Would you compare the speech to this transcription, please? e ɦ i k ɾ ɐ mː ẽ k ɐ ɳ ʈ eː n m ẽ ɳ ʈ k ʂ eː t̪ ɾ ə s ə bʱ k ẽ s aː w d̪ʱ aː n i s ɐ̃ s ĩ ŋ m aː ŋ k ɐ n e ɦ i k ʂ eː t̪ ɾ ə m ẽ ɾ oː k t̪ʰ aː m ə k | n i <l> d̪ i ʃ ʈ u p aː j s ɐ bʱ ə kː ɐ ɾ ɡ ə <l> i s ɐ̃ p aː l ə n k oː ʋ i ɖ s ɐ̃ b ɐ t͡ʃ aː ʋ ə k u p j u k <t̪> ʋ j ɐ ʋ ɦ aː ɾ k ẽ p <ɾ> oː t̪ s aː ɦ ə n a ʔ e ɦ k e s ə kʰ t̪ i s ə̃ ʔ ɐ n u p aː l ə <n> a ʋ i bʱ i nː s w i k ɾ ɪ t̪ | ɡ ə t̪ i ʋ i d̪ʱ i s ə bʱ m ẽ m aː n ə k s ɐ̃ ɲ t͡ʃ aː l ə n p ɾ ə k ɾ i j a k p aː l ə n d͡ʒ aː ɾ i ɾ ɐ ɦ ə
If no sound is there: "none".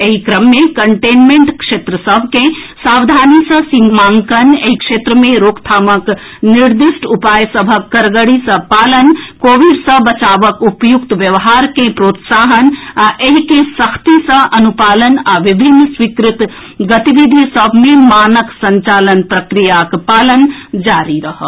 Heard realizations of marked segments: ɾ, ɽ, t̪, ɾ, n

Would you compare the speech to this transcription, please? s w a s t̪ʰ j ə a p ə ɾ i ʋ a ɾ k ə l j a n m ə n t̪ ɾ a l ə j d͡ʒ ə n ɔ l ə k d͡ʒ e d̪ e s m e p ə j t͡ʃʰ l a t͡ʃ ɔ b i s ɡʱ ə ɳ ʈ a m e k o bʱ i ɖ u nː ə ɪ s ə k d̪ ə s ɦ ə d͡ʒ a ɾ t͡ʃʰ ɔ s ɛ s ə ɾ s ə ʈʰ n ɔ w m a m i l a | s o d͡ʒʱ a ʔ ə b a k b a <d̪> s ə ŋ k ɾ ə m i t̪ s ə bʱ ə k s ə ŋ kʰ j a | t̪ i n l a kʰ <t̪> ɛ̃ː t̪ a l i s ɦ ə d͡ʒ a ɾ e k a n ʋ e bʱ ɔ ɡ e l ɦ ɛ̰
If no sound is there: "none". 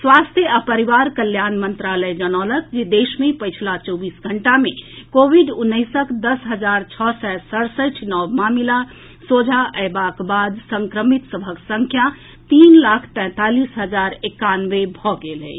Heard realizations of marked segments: d̪, t̪

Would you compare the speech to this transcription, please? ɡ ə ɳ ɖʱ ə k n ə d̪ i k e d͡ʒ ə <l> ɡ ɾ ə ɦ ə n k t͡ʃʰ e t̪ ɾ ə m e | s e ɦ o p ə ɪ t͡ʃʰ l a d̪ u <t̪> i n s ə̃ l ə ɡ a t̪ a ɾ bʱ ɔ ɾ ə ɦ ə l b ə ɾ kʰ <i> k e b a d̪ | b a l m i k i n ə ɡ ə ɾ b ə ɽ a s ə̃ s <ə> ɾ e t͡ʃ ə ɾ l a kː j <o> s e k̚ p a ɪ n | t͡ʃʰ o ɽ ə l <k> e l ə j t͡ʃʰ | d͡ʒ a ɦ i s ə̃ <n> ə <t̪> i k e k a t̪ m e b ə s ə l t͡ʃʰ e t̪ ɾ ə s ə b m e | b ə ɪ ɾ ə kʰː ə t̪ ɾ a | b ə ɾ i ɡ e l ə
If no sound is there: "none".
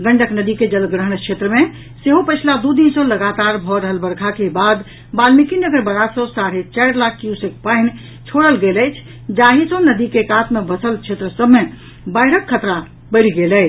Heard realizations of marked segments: l, d̪, a, a, u, ɡ, n, d̪

